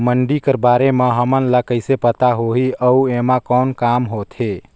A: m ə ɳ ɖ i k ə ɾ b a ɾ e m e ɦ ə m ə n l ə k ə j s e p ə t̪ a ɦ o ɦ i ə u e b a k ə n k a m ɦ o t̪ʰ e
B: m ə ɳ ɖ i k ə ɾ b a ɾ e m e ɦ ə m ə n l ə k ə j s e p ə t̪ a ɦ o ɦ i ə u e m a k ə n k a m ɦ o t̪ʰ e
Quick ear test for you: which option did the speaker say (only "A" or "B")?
B